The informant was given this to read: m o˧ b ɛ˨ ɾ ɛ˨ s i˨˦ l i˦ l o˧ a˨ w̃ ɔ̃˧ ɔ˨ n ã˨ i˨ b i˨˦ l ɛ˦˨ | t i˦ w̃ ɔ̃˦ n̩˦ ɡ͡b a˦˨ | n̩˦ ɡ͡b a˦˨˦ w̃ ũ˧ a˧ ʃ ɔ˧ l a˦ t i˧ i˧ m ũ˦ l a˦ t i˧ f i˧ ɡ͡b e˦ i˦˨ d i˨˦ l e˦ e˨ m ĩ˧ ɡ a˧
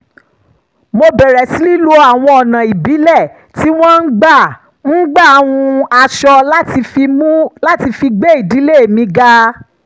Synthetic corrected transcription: m o˧ b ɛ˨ ɾ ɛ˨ s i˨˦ l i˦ l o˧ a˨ w̃ ɔ̃˧ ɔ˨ n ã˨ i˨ b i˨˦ l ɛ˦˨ | t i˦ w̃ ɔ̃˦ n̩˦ ɡ͡b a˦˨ | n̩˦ ɡ͡b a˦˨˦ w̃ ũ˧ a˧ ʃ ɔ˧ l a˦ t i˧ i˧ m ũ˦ l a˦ t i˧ f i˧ ɡ͡b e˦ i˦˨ d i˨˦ l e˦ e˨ m ĩ˧ ɡ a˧